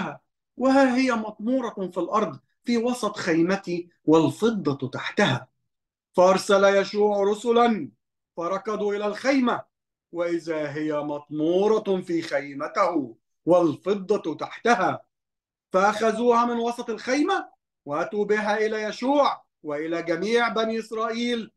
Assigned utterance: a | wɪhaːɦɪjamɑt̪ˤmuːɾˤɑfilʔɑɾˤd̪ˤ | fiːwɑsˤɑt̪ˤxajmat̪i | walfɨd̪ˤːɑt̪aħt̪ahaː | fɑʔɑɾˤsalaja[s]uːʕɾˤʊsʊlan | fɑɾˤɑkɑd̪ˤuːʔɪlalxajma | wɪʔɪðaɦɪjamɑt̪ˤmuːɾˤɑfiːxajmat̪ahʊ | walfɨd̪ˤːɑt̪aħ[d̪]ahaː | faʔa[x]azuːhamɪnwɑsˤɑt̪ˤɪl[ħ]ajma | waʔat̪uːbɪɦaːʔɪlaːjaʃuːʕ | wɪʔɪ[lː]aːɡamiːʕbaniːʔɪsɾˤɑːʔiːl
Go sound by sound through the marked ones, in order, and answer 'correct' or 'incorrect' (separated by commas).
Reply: incorrect, incorrect, correct, incorrect, incorrect